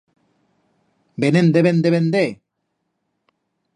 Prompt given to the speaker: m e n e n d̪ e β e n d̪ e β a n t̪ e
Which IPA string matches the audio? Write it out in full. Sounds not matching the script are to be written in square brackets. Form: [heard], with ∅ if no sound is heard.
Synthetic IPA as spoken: [b] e n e n d̪ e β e n d̪ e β [e] n [d̪] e